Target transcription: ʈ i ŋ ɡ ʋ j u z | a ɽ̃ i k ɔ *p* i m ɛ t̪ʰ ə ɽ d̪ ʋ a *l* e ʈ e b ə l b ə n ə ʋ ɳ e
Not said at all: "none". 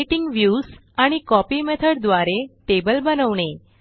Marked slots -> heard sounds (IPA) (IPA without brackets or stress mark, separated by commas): p, ɾ